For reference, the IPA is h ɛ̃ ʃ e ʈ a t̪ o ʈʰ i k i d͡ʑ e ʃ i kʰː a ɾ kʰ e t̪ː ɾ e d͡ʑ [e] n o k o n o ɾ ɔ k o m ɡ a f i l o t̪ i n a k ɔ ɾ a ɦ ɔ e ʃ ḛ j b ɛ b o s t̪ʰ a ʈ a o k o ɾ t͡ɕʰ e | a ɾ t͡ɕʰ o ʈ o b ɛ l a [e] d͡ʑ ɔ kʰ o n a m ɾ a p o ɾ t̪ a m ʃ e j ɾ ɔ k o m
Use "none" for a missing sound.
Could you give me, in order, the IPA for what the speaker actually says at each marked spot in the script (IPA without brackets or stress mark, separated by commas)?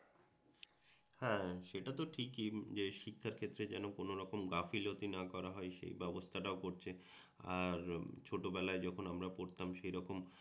ɛ, e